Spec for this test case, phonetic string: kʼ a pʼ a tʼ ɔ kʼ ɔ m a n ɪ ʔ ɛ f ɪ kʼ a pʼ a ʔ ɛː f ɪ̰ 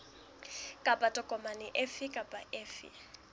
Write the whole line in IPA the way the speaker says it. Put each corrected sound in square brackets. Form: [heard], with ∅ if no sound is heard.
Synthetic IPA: kʼ a pʼ a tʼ ɔ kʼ ɔ m a n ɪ ʔ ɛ f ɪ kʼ a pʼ a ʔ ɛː f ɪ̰